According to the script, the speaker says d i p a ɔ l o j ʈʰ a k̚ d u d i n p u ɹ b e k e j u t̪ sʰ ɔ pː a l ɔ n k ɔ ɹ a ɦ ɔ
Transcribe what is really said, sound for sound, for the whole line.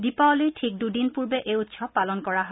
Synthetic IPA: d i p a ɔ l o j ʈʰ i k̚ d u d i n p u ɹ b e ʔ e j u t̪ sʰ ɔ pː a l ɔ n k ɔ ɹ a ɦ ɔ